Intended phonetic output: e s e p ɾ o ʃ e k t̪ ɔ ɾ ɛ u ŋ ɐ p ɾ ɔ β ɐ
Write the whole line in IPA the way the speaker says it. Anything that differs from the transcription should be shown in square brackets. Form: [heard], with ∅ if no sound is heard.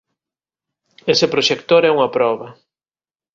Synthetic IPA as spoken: e s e p ɾ o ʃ e k t̪ [o] ɾ ɛ u ŋ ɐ p ɾ ɔ β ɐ